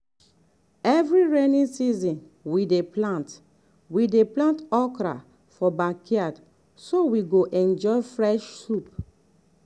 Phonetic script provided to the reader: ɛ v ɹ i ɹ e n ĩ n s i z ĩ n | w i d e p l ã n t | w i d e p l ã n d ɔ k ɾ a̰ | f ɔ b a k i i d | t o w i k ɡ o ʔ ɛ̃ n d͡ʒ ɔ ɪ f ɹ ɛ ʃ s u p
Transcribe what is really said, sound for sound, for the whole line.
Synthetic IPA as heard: ɛ v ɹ i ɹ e n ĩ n s i z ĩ n | w i d e p l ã n t | w i d e p l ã n t ɔ k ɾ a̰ | f ɔ b a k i a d | s o w i ɡ o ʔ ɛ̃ n d͡ʒ ɔ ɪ f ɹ ɛ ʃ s u p